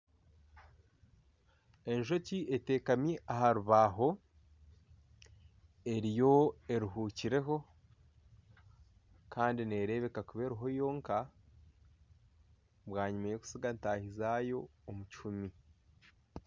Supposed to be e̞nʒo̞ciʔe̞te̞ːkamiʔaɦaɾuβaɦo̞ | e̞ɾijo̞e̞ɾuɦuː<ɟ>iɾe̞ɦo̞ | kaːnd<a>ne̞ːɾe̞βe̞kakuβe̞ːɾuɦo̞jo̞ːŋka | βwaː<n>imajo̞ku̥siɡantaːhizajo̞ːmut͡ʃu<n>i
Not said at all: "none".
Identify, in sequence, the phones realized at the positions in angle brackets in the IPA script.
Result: c, i, ɲ, m

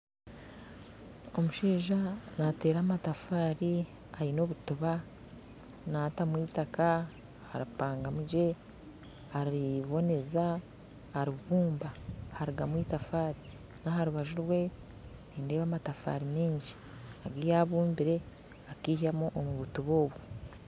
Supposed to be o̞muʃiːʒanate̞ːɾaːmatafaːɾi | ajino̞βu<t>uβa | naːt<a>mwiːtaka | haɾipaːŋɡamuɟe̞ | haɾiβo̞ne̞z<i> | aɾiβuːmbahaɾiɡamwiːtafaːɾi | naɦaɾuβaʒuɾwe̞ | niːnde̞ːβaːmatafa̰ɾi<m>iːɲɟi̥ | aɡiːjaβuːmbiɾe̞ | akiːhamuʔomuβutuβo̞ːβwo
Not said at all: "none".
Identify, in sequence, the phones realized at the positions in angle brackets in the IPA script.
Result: t, a, a, m

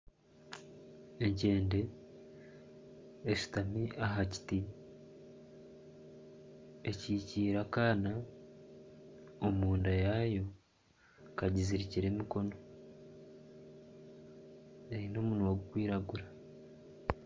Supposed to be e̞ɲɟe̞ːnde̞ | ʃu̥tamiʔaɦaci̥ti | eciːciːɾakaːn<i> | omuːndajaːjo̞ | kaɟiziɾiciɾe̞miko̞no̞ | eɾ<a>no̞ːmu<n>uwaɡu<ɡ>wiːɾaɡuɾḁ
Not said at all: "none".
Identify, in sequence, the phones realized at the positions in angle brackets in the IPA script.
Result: a, i, n, k

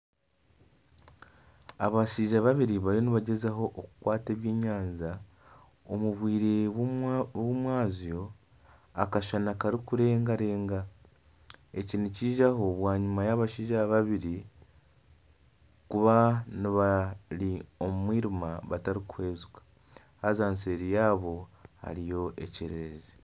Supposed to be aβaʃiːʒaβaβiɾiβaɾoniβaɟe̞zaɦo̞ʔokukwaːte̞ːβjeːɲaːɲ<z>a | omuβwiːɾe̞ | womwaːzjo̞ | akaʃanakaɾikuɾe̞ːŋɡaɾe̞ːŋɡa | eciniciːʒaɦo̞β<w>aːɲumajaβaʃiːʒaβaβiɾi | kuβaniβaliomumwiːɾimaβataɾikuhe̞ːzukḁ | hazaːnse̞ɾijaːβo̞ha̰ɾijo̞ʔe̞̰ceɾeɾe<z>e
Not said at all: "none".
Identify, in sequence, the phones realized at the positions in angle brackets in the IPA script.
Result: z, w, z

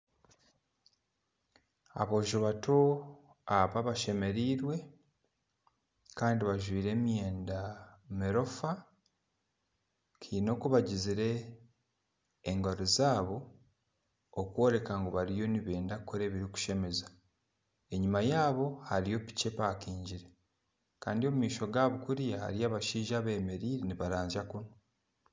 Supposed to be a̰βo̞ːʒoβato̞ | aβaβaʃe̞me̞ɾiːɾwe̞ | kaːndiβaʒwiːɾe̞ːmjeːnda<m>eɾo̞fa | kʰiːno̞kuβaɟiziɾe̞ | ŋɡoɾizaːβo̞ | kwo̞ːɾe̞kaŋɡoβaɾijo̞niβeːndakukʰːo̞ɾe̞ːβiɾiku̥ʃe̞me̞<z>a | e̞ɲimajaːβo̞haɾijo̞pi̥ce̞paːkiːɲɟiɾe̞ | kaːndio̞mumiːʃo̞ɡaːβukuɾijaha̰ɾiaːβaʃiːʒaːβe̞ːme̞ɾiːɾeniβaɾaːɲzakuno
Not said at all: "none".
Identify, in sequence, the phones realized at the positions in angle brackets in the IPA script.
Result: m, z

